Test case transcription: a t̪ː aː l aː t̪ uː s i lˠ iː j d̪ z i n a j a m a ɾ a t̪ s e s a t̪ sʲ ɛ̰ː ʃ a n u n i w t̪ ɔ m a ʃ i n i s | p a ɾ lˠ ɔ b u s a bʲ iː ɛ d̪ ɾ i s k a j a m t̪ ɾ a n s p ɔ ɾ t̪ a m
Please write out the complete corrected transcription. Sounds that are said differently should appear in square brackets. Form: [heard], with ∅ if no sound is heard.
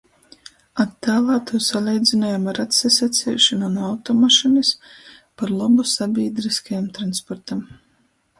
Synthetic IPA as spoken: a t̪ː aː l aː t̪ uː s [a] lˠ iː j d̪ z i n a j a m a ɾ a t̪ s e s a t̪ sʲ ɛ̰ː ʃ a n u n [a] w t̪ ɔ m a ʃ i n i s | p a ɾ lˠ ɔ b u s a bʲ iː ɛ d̪ ɾ i s k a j a m t̪ ɾ a n s p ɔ ɾ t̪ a m